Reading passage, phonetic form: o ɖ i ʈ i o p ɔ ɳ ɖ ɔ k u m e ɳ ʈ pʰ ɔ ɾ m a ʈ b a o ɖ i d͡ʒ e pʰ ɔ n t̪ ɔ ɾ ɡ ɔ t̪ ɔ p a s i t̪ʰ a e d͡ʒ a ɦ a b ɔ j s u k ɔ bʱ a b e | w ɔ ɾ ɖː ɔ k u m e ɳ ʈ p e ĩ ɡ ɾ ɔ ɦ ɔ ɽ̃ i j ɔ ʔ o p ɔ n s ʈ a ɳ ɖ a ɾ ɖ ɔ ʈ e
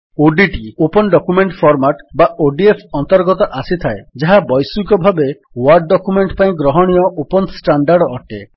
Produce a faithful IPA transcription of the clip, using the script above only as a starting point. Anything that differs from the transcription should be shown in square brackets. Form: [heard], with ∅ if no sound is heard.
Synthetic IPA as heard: o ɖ i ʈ i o p ɔ [n] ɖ ɔ k u m e ɳ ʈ pʰ ɔ ɾ m a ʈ b a o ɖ i [∅] e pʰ ɔ n t̪ ɔ ɾ ɡ ɔ t̪ ɔ [ʔ] a s i t̪ʰ a e d͡ʒ a ɦ a b ɔ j s u k ɔ bʱ a b e | w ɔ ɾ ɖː ɔ k u m e ɳ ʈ p [a] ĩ ɡ ɾ ɔ ɦ ɔ ɽ̃ i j ɔ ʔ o p ɔ n s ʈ a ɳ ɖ a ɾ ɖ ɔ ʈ e